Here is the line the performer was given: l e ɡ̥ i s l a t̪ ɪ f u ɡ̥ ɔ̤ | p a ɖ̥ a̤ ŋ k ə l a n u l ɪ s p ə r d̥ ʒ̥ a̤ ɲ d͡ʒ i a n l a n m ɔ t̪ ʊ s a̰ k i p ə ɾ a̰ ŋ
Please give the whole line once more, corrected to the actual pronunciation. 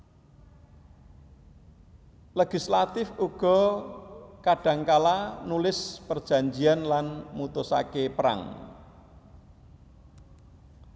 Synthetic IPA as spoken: l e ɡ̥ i s l a t̪ ɪ f u ɡ̥ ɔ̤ | k a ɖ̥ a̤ ŋ k a l a n u l ɪ s p ə r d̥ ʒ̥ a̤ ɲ d͡ʒ i a n l a n m u t̪ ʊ s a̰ k e p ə ɾ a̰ ŋ